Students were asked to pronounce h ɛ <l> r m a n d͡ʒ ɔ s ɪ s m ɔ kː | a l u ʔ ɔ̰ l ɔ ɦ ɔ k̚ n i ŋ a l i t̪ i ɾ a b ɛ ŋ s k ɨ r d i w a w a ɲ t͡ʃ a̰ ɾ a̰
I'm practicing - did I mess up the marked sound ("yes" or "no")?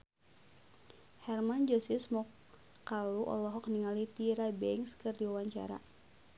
yes